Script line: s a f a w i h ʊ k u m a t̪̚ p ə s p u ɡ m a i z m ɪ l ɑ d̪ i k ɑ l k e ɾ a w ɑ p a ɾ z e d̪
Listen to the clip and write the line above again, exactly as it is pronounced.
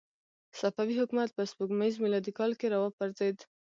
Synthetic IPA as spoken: s a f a w i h ʊ k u m a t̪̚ p ə s p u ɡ m a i z m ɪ l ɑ d̪ i k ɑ l k e ɾ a w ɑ p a ɾ z e d̪